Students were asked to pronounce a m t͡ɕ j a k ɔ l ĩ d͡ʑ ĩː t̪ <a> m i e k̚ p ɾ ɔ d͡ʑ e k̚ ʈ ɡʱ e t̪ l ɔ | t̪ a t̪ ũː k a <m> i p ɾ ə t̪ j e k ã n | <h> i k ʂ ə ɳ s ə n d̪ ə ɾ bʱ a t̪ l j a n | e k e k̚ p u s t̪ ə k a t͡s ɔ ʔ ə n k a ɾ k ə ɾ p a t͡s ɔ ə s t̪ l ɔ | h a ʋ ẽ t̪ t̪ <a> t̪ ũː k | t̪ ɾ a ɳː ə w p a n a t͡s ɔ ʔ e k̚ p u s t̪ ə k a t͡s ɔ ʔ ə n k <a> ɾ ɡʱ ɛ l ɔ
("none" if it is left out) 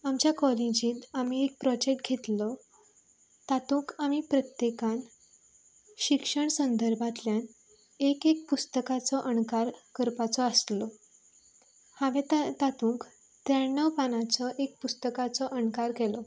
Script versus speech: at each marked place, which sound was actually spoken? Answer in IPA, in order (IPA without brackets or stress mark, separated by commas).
a, m, ɕ, a, a